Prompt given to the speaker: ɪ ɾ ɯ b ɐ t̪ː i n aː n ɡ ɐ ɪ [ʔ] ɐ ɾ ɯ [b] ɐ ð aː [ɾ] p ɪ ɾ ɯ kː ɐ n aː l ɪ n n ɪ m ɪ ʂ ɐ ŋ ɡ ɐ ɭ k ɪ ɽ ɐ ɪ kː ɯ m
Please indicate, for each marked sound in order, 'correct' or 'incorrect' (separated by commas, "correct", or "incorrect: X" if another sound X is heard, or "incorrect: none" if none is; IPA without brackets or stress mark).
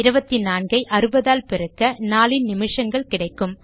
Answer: correct, correct, incorrect: l